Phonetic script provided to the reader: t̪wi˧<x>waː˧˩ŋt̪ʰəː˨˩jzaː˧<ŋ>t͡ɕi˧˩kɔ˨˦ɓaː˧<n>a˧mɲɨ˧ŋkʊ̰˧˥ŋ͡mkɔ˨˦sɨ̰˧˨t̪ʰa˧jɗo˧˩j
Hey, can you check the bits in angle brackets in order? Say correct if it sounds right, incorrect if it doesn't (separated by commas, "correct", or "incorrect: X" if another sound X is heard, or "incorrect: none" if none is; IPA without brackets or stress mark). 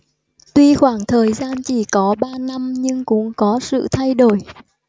correct, incorrect: n, correct